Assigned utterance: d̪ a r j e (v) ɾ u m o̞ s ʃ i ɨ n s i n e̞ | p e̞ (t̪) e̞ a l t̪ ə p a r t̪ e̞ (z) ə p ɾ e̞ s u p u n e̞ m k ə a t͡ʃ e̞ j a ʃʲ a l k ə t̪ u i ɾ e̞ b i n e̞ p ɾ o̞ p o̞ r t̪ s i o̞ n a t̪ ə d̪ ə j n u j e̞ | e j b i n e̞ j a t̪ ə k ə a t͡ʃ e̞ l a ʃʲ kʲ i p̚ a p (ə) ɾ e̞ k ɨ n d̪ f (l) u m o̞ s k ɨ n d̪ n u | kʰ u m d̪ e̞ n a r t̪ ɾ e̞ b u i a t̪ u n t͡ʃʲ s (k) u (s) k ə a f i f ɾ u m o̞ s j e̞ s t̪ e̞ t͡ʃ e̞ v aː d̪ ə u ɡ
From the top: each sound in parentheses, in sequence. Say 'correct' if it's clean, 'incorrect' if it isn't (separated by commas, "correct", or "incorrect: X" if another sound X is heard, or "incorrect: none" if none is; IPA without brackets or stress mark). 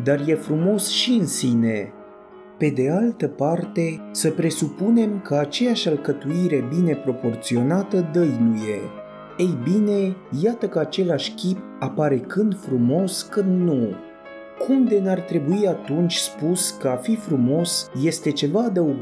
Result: incorrect: f, incorrect: d̪, incorrect: s, incorrect: a, incorrect: ɾ, incorrect: p, correct